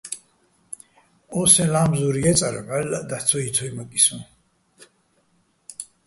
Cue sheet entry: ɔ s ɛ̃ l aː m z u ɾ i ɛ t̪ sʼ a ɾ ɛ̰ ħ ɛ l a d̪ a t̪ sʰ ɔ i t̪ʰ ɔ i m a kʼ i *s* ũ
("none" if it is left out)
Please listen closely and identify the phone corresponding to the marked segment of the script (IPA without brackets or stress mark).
s